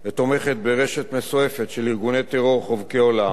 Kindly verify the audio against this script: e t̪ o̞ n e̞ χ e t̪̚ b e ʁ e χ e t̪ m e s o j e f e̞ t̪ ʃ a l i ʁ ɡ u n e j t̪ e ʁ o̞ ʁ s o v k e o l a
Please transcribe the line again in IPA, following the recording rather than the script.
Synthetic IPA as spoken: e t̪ o̞ m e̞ χ e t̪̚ b e ʁ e ʃ e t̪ m e s o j e f e̞ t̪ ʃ e l i ʁ ɡ u n e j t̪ e ʁ o̞ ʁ χ o v k e o l a